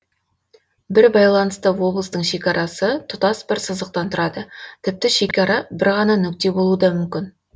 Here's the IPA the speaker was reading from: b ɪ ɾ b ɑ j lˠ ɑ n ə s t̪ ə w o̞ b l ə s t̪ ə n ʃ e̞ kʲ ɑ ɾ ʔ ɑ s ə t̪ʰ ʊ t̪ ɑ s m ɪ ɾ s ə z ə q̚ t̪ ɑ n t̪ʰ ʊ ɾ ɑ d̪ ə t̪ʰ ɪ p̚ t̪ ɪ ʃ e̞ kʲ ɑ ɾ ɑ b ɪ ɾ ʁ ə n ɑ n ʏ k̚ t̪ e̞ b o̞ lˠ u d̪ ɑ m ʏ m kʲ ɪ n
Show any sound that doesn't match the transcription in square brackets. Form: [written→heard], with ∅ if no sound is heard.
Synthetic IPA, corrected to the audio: b ɪ ɾ b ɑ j lˠ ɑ n ə s t̪ ə w o̞ b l ə s t̪ ə [n→ɴ] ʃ e̞ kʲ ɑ ɾ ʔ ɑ s ə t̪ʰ ʊ t̪ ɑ s [m→b] ɪ ɾ s ə z ə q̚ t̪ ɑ n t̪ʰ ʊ ɾ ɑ d̪ ə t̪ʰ ɪ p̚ t̪ ɪ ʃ e̞ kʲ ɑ ɾ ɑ b ɪ ɾ ʁ [ə→ɑ] n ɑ n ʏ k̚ t̪ e̞ b o̞ lˠ u d̪ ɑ m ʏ m kʲ ɪ n